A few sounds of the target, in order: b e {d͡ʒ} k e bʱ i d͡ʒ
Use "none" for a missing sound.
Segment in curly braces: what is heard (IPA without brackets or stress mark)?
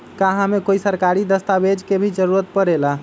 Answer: d͡ʒ